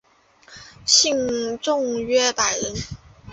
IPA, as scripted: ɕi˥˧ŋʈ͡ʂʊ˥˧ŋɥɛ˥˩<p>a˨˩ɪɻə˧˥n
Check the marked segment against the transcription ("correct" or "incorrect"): correct